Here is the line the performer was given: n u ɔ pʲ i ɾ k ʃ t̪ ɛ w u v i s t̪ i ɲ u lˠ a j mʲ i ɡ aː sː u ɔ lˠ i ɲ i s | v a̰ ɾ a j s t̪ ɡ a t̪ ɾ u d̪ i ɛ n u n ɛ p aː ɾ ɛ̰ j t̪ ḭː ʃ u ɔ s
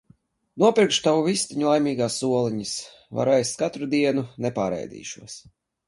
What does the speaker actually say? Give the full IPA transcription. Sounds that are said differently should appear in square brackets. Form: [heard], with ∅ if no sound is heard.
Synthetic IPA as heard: n u ɔ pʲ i ɾ k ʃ t̪ [a] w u v i s t̪ i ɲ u lˠ a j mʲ [iː] ɡ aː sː u ɔ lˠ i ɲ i s | v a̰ ɾ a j s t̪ [k] a t̪ ɾ u d̪ i ɛ n u n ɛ p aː ɾ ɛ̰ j [d̪] ḭː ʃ u ɔ s

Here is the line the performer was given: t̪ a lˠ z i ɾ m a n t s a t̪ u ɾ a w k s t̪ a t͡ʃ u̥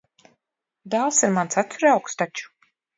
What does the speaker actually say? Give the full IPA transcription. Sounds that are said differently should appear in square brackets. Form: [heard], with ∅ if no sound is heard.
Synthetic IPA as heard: [d̪] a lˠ [s] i ɾ m a n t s a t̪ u ɾ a w k s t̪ a t͡ʃ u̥

